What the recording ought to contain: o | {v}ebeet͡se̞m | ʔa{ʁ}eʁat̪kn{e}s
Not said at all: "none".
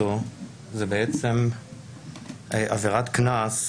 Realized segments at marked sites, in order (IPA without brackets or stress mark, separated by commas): z, v, a